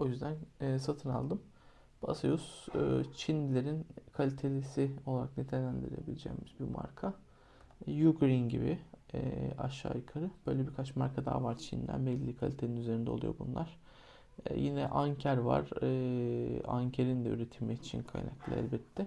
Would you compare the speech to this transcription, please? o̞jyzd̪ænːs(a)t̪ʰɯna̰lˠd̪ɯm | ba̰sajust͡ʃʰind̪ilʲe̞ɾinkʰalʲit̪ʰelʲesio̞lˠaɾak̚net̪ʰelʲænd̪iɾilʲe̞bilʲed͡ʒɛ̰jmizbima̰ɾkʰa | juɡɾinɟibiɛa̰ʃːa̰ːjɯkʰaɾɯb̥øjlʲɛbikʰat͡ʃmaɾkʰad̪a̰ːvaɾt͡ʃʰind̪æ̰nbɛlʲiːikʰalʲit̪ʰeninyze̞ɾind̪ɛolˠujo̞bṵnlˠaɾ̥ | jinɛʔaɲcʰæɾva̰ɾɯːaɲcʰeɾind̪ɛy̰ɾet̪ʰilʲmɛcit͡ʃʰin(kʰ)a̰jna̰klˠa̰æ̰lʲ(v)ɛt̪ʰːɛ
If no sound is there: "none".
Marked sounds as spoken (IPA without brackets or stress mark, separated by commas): a, kʰ, b